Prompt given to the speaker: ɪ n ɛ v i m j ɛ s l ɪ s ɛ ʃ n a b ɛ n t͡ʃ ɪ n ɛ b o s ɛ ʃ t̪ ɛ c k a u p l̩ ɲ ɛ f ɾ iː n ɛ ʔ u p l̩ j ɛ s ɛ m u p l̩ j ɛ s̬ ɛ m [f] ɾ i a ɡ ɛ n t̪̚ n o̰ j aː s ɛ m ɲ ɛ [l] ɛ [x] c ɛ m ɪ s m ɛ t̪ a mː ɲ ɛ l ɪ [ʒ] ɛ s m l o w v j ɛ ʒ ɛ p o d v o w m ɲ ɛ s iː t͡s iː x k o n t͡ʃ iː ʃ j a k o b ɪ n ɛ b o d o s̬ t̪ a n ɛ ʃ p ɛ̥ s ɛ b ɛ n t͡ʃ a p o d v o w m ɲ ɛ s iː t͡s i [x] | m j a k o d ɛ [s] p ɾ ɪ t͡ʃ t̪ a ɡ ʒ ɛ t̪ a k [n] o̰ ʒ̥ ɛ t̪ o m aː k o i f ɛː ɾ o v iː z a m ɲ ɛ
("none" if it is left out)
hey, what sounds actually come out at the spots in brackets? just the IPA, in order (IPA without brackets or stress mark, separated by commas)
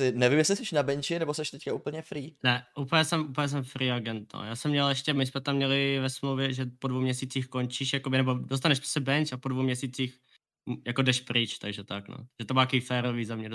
f, l, ʃ, v, x, ʃ, n